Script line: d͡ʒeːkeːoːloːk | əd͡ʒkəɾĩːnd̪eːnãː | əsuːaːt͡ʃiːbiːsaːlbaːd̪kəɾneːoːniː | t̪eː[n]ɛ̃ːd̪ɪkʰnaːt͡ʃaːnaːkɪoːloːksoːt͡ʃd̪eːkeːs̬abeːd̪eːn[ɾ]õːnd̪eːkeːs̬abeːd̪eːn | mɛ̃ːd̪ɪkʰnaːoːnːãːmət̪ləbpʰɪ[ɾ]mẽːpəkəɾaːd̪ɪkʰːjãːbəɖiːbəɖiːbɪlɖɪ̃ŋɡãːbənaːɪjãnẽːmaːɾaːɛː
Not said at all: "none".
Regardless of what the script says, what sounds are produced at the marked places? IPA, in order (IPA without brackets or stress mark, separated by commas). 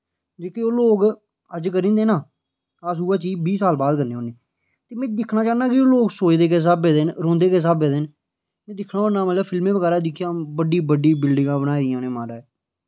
m, ɾ, l